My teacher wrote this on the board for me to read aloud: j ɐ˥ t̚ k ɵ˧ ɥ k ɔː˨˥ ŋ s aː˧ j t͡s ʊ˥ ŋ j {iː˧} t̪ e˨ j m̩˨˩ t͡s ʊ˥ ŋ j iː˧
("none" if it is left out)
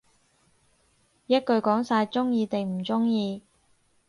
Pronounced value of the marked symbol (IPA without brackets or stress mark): iː˧